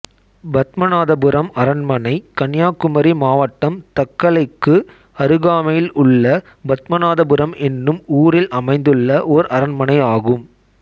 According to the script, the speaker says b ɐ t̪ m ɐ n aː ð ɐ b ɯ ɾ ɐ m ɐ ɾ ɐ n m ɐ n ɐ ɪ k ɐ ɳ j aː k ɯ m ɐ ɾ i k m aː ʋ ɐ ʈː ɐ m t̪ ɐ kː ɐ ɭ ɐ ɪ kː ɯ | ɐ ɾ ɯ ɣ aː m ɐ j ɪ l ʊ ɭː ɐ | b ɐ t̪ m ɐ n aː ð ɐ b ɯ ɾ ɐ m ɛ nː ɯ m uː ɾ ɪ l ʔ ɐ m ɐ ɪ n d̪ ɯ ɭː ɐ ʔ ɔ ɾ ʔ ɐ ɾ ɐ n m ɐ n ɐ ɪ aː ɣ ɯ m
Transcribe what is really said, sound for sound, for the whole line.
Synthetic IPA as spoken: b ɐ t̪ m ɐ n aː ð ɐ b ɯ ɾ ɐ m ɐ ɾ ɐ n m ɐ n ɐ ɪ k ɐ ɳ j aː k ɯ m ɐ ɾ i m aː ʋ ɐ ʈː ɐ m t̪ ɐ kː ɐ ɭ ɐ ɪ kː ɯ | ɐ ɾ ɯ ɣ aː m ɐ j ɪ l ʊ ɭː ɐ | b ɐ t̪ m ɐ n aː ð ɐ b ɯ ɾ ɐ m ɛ nː ɯ m uː ɾ ɪ l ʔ ɐ m ɐ ɪ n d̪ ɯ ɭː ɐ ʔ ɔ ɾ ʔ ɐ ɾ ɐ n m ɐ n ɐ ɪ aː ɣ ɯ m